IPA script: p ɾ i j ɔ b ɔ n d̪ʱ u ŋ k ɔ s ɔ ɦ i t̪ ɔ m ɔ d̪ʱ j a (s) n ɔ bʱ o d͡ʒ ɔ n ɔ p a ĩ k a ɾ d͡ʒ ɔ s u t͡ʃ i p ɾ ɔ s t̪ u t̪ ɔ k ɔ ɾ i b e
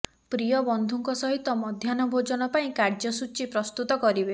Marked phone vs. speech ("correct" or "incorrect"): incorrect